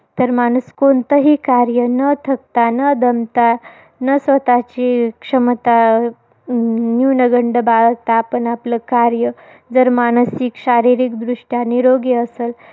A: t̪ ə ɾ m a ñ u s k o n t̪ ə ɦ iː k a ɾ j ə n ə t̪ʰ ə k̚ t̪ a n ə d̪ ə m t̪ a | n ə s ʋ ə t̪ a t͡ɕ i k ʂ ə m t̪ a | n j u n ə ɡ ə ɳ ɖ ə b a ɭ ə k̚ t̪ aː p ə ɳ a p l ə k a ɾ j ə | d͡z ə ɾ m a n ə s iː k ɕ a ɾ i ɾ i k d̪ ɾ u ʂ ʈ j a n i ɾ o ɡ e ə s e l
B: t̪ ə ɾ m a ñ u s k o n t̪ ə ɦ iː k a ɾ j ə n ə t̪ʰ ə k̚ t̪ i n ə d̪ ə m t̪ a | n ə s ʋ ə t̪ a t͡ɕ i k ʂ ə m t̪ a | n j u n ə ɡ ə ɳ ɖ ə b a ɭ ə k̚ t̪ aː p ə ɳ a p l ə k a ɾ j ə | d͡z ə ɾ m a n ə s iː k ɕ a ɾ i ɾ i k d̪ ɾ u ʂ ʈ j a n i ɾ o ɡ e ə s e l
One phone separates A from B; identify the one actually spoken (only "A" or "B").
A